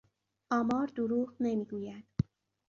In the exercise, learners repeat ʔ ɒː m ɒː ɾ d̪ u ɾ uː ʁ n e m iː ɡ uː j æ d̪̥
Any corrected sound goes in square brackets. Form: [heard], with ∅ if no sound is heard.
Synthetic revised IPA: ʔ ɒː m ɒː ɾ d̪ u ɾ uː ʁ n e m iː ɡ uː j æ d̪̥